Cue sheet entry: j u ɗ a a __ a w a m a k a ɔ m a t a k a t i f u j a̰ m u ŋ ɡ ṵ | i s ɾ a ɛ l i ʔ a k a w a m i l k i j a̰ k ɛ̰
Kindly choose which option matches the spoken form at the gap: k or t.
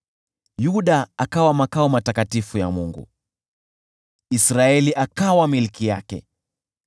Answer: k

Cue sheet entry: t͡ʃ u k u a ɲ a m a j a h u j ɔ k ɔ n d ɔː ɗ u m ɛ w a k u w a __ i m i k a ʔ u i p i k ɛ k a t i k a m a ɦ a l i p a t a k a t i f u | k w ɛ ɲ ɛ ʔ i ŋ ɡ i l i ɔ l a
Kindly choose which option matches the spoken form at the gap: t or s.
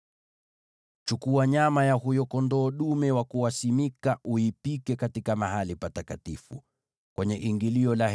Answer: s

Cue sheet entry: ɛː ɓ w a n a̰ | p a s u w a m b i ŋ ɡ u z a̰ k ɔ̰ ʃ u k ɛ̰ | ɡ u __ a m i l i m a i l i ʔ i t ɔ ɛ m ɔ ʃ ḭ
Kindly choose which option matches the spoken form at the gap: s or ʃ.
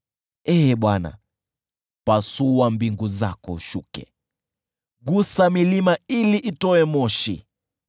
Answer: s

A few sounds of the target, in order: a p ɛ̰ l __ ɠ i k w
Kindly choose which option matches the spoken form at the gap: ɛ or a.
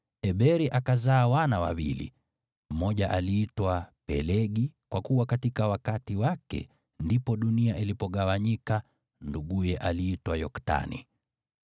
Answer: ɛ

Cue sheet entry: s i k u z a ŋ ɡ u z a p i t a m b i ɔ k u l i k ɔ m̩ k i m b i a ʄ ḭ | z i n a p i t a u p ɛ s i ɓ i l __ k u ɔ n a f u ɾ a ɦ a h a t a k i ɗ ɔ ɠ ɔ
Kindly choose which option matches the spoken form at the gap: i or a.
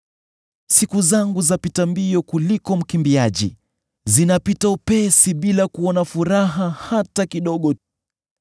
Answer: a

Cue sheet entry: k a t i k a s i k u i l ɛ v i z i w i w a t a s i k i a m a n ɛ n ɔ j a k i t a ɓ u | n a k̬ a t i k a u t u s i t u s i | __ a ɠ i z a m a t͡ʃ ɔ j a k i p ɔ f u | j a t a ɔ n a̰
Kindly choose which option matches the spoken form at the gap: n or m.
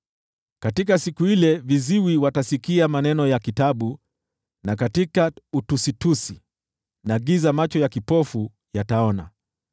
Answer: n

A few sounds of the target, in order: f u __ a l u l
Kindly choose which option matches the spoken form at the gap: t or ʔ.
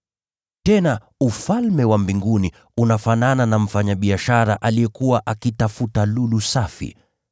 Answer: t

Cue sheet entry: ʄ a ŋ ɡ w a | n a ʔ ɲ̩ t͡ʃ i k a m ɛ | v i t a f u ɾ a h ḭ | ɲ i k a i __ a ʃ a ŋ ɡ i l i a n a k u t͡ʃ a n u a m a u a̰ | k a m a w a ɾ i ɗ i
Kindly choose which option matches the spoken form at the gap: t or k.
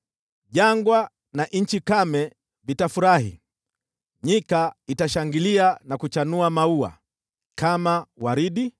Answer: t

